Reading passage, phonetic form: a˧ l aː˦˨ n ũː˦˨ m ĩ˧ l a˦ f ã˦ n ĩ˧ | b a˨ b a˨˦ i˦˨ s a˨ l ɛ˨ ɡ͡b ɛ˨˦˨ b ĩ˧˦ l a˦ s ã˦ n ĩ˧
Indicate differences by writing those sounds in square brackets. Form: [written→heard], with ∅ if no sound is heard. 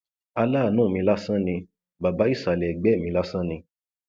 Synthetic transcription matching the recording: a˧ l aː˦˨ n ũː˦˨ m ĩ˧ l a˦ [f→s] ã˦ n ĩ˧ | b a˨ b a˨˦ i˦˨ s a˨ l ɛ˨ ɡ͡b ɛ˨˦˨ [b→m] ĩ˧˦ l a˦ s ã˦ n ĩ˧

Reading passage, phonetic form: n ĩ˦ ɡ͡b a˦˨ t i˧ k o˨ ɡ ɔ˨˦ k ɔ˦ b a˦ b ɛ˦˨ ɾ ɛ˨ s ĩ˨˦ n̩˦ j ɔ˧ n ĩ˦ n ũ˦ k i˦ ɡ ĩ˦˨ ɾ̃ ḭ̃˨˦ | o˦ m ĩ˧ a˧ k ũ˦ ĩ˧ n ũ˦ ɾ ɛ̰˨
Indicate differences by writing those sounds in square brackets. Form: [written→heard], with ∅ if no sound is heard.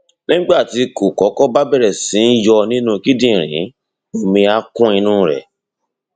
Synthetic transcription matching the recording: n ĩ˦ ɡ͡b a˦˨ t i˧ k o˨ [ɡ→k] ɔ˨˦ k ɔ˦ b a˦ b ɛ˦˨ ɾ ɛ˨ s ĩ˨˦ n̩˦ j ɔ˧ n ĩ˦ n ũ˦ k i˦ [ɡ→d] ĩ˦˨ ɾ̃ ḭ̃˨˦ | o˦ m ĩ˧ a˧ k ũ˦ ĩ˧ n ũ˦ ɾ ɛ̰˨

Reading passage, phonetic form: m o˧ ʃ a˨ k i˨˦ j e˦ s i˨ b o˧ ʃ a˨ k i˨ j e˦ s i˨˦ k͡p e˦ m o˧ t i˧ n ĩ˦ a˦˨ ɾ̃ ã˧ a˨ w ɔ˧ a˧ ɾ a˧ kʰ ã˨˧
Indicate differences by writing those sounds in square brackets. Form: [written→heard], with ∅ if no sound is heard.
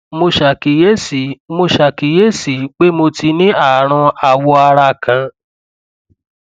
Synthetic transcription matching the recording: m o˧ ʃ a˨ k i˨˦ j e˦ s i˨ [b→m] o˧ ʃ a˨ k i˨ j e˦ s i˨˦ k͡p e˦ m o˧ t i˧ n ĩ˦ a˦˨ ɾ̃ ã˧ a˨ w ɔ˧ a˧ ɾ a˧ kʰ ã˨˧

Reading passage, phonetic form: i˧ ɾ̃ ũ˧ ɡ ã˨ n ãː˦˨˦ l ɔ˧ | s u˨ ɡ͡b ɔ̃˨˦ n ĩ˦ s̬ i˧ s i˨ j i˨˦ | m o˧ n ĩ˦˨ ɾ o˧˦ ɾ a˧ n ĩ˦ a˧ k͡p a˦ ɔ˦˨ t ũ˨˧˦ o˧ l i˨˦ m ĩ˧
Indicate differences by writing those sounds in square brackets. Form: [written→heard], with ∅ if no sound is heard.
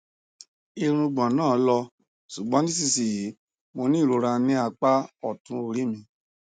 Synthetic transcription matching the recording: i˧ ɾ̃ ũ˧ [ɡ→ɡ͡b] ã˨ n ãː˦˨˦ l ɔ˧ | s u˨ ɡ͡b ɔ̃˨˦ n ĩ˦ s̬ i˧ s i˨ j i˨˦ | m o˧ n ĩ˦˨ ɾ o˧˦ ɾ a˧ n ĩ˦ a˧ k͡p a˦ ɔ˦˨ t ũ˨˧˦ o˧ [l→ɾ] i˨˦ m ĩ˧

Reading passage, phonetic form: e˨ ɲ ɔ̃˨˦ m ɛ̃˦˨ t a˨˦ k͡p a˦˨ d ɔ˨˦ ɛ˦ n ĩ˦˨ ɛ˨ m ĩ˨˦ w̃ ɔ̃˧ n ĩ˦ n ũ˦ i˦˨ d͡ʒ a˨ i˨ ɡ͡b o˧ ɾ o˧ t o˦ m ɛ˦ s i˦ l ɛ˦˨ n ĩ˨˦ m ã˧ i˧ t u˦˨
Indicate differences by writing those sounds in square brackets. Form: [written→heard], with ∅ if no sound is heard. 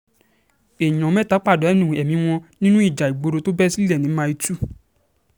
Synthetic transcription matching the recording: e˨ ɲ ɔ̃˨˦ m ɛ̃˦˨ t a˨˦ k͡p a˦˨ d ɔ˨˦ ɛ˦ n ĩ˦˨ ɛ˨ m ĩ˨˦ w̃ ɔ̃˧ n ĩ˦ n ũ˦ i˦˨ d͡ʒ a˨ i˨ ɡ͡b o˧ ɾ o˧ t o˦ [m→b] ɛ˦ s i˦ l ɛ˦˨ n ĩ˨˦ m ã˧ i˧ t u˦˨

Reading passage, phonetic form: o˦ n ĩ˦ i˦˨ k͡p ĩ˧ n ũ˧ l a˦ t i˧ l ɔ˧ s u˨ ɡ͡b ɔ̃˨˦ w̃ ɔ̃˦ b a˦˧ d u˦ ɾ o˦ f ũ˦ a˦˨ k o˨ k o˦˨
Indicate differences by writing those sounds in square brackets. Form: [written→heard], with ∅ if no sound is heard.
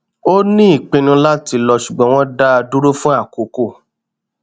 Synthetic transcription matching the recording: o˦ n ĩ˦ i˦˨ k͡p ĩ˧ n ũ˧ l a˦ t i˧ l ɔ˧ [s→ʃ] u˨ ɡ͡b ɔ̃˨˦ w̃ ɔ̃˦ [b→d] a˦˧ d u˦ ɾ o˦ f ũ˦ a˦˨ k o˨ k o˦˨

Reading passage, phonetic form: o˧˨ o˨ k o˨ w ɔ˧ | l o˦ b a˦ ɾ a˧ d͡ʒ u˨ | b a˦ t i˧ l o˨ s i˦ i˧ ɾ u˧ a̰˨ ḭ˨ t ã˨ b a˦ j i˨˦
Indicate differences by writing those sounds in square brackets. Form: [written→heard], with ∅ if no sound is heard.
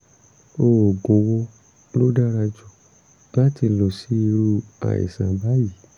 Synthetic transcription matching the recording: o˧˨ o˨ [k→ɡ] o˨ w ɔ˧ | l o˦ [b→d] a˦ ɾ a˧ d͡ʒ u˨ | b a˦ t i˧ l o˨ s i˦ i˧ ɾ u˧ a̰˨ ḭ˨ [t→s] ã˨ b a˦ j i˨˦

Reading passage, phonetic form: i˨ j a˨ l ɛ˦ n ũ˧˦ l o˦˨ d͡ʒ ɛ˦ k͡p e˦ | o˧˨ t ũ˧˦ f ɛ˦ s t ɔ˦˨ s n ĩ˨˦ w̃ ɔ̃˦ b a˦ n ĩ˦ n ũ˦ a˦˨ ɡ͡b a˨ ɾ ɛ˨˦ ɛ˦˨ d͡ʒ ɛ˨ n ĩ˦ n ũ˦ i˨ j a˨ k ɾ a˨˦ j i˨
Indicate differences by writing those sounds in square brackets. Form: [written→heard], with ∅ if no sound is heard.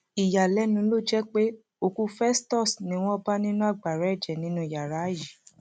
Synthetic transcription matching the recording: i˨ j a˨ l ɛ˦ n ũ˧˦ l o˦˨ d͡ʒ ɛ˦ k͡p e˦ | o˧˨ [t→k] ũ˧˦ f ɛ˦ s t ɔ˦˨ s n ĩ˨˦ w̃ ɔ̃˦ b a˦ n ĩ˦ n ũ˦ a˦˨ ɡ͡b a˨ ɾ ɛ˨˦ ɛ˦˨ d͡ʒ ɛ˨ n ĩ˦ n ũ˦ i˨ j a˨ [k→∅] ɾ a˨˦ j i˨

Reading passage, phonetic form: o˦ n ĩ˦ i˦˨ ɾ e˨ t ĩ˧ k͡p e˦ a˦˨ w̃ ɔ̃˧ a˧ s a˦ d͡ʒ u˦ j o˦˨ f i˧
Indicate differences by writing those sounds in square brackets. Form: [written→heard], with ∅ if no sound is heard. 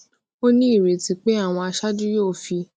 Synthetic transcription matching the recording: o˦ n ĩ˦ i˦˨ ɾ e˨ t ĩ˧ k͡p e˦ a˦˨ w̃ ɔ̃˧ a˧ [s→ʃ] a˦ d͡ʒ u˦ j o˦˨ f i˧

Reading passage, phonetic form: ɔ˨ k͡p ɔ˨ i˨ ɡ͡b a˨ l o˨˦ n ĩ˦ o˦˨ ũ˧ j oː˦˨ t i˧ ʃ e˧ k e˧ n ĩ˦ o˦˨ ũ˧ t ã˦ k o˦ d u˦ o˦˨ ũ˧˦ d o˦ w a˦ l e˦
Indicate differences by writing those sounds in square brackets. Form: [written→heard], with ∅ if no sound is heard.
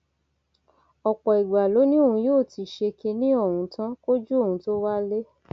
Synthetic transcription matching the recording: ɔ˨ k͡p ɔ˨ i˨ ɡ͡b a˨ l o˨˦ n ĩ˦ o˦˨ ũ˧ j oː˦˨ t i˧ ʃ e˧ k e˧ n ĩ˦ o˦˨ ũ˧ t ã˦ k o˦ [d→d͡ʒ] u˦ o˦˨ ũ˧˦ [d→t] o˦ w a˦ l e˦

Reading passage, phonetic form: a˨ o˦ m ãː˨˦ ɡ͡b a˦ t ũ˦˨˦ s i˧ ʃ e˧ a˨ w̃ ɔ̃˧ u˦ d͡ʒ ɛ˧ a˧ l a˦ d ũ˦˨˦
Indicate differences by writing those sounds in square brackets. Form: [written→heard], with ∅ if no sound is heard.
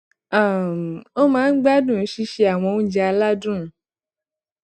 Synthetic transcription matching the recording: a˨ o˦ m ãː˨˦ ɡ͡b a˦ [t→d] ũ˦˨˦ [s→ʃ] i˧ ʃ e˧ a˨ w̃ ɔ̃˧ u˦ d͡ʒ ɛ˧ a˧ l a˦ d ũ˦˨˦

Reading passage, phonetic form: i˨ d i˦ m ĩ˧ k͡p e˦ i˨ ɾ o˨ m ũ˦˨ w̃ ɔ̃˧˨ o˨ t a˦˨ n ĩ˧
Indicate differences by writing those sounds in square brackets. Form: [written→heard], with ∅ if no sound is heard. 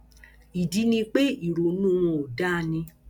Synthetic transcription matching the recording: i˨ d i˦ [m→n] ĩ˧ k͡p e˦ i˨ ɾ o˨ [m→n] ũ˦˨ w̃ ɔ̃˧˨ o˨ [t→d] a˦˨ n ĩ˧

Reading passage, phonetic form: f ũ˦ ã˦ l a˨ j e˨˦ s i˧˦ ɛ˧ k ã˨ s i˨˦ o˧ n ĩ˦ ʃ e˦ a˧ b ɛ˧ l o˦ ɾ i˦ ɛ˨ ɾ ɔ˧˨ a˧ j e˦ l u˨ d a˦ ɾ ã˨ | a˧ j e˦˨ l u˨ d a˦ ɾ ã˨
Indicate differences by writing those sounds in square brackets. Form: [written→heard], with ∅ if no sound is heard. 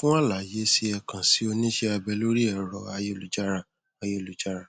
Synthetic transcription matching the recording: f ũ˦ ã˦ l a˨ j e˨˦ s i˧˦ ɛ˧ k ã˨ s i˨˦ o˧ n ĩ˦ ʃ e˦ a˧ b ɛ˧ l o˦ ɾ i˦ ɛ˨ ɾ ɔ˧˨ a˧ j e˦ l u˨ [d→d͡ʒ] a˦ ɾ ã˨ | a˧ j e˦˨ l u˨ [d→d͡ʒ] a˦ ɾ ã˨

